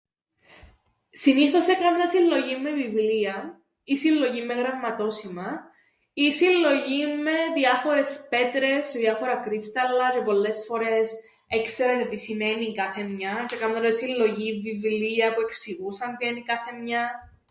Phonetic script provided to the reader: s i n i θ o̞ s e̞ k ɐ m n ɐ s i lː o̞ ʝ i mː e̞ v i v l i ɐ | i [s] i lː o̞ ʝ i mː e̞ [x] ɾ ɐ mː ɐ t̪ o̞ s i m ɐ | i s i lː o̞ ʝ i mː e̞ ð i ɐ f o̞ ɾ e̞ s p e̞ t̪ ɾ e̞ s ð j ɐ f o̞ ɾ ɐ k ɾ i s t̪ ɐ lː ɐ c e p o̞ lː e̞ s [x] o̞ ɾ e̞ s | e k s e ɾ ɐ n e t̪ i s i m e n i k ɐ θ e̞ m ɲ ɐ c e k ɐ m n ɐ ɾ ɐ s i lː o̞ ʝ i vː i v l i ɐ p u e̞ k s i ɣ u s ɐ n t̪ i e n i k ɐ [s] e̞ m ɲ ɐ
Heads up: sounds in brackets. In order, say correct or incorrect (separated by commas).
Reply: correct, incorrect, incorrect, incorrect